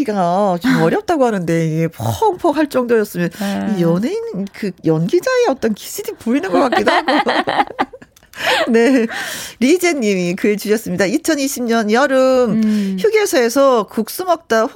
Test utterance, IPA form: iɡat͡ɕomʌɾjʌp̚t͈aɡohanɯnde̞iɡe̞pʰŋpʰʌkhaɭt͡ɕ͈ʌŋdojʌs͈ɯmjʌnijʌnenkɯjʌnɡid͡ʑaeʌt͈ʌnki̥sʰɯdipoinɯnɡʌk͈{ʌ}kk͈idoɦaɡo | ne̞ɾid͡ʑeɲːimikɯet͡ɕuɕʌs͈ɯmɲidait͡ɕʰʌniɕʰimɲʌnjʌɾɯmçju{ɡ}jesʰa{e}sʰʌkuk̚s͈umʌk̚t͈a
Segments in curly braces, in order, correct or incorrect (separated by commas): incorrect, correct, correct